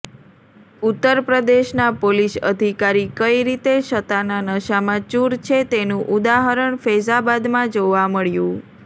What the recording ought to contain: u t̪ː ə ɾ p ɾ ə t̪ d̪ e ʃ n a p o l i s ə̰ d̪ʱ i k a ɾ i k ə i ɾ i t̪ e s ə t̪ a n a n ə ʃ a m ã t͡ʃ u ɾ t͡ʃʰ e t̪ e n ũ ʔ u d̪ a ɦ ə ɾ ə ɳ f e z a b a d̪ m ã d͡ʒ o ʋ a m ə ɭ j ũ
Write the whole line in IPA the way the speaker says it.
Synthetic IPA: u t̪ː ə ɾ p ɾ ə d̪ e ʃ n a p o l i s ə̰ d̪ʱ i k a ɾ i k ə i ɾ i t̪ e ʃ ə t̪ a n a n ə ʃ a m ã t͡ʃ u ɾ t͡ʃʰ e t̪ e n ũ ʔ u d̪ a ɦ ə ɾ ə ɳ f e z a b a d̪ m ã d͡ʒ o ʋ a m ə ɭ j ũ